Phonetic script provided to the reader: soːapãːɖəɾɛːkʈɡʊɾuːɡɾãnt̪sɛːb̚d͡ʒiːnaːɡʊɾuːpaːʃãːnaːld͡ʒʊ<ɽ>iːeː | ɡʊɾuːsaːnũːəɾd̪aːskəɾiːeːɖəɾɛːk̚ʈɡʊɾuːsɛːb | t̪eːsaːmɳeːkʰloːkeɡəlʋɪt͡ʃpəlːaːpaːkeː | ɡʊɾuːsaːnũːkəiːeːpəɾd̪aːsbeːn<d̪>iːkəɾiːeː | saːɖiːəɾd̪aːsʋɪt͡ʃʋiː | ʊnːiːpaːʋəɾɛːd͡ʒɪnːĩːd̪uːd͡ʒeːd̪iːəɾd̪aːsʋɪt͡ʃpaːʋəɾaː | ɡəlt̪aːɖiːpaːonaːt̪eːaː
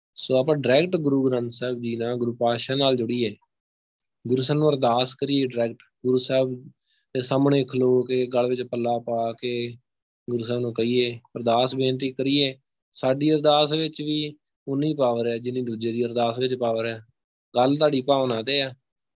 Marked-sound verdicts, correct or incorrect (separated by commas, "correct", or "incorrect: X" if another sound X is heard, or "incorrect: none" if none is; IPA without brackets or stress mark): correct, incorrect: t̪